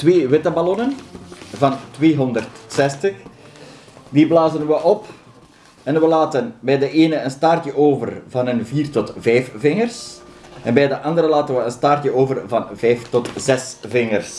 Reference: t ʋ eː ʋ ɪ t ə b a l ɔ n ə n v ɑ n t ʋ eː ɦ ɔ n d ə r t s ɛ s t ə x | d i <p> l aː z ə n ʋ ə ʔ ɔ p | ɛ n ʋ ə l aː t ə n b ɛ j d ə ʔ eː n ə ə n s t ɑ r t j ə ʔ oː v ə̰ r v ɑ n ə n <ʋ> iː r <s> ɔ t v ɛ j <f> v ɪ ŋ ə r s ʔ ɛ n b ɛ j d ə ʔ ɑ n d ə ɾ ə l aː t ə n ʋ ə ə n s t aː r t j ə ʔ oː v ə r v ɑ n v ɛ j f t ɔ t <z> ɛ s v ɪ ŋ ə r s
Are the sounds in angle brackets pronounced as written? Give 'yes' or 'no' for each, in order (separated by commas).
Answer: no, no, no, yes, yes